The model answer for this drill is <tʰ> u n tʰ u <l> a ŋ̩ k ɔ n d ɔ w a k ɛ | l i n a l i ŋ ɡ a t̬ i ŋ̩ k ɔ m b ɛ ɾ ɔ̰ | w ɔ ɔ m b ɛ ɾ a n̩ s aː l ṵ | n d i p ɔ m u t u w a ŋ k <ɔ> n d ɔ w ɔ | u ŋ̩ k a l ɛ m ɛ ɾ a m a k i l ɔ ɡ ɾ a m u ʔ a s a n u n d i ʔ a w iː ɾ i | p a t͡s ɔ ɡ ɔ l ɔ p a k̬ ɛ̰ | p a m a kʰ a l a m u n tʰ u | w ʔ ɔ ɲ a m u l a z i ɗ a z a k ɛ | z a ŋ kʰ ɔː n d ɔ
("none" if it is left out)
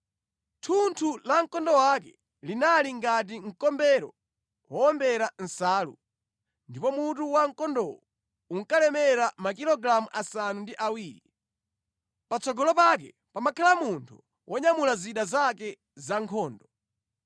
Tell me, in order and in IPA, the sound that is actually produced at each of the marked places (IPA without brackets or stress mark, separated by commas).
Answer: tʰ, l, ɔ